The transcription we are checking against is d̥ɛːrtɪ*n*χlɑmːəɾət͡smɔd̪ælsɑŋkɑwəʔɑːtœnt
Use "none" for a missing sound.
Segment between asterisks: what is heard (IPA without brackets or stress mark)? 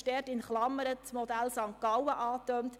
n